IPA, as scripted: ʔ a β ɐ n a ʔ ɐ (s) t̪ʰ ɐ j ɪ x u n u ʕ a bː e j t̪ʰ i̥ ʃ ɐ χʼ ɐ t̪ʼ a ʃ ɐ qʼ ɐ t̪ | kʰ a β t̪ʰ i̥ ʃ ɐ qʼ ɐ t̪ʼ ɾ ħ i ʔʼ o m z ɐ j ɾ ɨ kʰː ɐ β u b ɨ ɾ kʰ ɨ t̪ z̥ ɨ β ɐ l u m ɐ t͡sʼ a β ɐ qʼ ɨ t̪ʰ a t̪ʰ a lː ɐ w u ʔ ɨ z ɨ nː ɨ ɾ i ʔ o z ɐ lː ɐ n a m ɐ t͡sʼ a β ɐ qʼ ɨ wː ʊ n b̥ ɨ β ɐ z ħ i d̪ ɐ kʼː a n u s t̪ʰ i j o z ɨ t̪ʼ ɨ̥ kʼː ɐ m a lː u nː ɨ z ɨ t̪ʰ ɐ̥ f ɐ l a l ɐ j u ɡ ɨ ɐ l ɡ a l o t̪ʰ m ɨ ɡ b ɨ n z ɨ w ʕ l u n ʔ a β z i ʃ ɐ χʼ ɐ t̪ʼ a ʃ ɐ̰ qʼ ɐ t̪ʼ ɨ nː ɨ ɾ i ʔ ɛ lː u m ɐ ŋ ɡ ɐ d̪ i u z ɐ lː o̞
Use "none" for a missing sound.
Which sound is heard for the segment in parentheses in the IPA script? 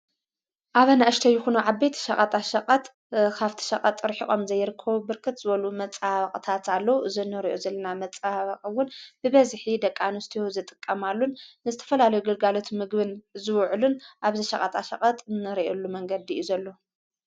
ʃ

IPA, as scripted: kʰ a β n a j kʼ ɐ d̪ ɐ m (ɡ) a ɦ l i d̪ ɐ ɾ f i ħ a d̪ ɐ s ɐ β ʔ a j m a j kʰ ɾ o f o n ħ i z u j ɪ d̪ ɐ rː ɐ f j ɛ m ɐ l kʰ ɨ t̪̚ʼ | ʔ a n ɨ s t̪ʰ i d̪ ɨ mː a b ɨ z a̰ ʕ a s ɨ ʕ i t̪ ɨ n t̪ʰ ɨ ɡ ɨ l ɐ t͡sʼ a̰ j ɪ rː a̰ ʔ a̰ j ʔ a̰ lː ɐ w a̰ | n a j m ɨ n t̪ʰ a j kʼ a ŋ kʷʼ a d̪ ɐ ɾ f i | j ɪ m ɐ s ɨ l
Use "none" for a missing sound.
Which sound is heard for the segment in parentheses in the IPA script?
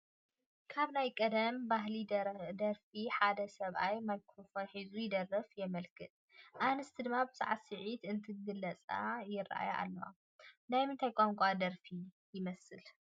b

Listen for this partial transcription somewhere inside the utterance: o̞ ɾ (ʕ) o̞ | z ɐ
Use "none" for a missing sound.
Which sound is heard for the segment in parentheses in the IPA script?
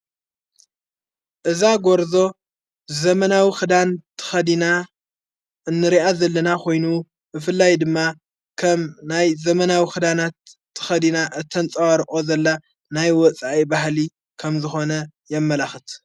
z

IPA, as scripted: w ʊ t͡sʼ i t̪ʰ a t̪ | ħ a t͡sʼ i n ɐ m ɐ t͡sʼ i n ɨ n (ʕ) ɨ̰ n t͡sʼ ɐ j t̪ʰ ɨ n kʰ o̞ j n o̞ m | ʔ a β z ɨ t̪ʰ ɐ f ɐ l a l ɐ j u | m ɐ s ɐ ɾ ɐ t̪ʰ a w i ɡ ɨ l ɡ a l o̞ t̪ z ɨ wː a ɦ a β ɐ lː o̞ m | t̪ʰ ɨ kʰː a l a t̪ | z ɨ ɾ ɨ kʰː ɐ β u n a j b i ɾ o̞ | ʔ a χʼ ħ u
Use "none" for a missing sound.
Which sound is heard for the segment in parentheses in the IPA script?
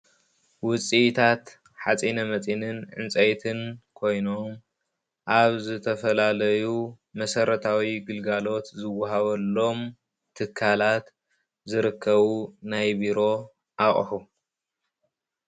ʕ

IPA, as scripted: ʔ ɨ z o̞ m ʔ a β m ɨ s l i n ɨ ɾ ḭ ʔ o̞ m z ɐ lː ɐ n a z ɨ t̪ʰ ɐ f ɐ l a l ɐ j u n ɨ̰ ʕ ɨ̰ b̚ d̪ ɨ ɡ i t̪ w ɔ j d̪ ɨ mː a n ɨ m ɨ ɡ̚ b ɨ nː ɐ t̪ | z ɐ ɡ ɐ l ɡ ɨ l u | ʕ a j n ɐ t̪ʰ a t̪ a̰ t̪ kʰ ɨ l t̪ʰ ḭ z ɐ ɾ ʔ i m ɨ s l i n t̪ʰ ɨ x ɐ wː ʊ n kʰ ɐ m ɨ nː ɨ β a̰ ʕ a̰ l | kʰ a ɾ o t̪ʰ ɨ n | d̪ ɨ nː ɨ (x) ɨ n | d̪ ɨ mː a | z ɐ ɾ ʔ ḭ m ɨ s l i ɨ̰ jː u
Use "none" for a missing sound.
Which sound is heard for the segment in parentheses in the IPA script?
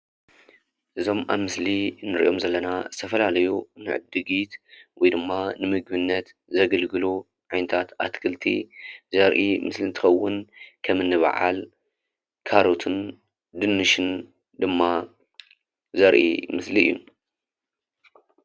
ʃ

